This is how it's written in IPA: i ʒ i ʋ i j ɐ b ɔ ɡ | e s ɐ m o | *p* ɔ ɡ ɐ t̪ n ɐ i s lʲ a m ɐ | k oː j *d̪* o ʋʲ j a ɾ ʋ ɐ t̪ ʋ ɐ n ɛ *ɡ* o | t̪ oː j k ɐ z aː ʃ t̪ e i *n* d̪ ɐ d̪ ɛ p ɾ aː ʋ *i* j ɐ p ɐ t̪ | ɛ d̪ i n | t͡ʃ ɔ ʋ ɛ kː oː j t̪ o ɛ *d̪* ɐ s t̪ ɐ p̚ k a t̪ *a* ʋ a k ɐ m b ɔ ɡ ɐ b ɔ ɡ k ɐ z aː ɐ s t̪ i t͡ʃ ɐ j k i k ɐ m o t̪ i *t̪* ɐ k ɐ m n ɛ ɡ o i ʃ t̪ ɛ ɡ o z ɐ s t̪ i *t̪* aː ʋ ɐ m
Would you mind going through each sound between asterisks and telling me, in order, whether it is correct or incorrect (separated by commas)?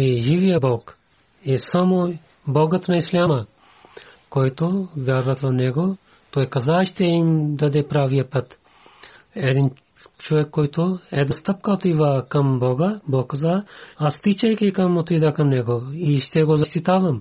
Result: incorrect, incorrect, correct, incorrect, correct, correct, incorrect, incorrect, correct